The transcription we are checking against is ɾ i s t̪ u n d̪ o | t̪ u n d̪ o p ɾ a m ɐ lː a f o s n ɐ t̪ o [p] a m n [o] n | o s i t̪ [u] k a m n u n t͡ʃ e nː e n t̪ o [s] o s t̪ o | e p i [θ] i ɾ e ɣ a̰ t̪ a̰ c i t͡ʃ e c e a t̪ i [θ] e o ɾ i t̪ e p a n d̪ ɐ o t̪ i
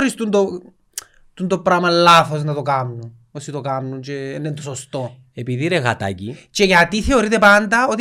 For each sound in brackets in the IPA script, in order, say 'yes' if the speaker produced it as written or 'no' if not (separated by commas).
no, no, no, yes, no, yes